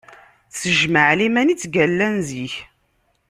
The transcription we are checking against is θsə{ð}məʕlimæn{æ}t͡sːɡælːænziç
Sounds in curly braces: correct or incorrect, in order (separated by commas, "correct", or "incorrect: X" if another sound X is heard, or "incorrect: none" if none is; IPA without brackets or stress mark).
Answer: incorrect: ʒ, incorrect: i